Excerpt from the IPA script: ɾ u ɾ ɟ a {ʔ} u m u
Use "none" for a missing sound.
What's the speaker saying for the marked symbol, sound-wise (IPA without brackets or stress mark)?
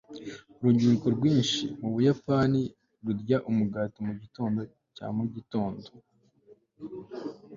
ʔ